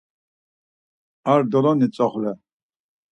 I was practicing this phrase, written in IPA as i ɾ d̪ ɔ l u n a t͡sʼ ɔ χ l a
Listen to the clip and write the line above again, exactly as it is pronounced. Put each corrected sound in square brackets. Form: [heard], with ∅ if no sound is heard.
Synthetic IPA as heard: [a] ɾ d̪ ɔ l [ɔ] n [i] t͡sʼ ɔ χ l [ɛ]

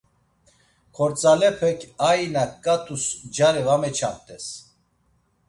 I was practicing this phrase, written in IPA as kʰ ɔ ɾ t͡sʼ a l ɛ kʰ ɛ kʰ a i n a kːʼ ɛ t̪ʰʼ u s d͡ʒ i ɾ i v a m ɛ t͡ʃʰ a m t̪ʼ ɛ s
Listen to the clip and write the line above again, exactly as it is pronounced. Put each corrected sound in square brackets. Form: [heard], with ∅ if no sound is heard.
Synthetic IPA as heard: kʰ ɔ ɾ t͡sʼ a l ɛ [pʰ] ɛ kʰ a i n a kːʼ [a] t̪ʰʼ u s d͡ʒ [a] ɾ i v a m ɛ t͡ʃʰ a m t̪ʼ ɛ s

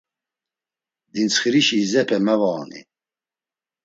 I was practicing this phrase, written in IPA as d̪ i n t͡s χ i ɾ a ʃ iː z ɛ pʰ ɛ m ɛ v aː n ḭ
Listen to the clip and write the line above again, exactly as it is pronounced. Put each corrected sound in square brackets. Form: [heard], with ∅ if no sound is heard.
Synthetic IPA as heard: d̪ i n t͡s χ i ɾ [i] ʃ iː z ɛ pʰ ɛ m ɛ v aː n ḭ

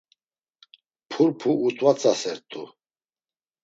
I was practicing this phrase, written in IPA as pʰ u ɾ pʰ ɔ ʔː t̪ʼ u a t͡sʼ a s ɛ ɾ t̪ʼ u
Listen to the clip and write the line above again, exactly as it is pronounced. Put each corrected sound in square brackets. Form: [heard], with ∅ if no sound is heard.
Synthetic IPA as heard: pʰ u ɾ pʰ [u] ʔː t̪ʼ [w] a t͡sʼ a s ɛ ɾ t̪ʼ u

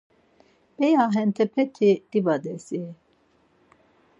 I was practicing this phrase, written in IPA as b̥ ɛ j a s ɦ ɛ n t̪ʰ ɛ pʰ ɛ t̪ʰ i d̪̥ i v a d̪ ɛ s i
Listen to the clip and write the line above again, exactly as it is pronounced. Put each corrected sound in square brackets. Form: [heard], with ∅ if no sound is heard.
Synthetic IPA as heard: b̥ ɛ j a [∅] ɦ ɛ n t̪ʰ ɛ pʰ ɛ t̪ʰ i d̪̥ i [b] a d̪ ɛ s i

